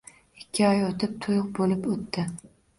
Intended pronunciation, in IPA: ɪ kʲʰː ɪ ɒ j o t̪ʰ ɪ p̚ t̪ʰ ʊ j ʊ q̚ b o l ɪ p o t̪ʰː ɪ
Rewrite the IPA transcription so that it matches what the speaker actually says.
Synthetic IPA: ɪ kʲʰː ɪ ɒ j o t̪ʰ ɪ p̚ t̪ʰ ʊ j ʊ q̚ b o l ɪ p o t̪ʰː ɪ